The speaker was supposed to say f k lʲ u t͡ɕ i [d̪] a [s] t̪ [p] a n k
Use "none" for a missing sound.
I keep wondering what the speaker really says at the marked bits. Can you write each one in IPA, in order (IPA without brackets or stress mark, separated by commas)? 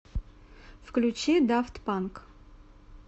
d̪, f, p